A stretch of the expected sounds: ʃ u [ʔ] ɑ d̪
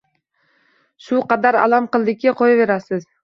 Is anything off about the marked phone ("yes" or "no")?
yes